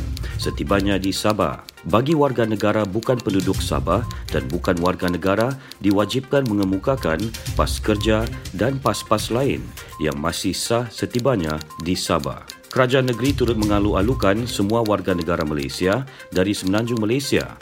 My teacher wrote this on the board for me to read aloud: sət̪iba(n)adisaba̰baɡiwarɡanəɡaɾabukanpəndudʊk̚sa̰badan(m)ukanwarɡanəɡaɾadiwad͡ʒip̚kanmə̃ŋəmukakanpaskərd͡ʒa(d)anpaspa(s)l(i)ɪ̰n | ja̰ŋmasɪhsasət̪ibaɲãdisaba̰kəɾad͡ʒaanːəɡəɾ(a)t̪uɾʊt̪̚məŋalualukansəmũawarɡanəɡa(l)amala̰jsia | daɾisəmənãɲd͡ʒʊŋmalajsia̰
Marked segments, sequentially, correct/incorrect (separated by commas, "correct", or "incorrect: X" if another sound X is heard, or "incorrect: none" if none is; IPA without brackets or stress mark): incorrect: ɲ, incorrect: b, correct, correct, incorrect: a, incorrect: i, incorrect: ɾ